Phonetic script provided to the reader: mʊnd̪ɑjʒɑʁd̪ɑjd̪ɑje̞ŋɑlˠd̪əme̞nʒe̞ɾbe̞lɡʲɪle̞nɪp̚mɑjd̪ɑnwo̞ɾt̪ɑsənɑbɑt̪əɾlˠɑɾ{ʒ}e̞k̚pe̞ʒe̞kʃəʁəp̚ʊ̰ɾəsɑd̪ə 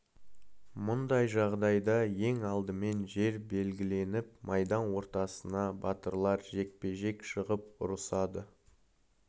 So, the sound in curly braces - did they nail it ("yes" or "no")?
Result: yes